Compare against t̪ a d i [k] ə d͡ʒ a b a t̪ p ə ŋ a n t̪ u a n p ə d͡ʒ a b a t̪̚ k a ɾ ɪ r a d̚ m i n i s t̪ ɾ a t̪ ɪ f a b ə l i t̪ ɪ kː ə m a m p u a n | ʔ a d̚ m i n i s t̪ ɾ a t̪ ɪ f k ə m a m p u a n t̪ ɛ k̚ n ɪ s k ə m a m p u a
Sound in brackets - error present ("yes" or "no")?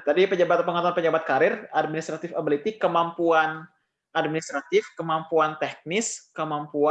yes